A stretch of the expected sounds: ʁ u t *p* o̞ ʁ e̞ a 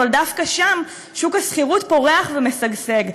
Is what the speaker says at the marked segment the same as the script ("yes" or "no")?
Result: yes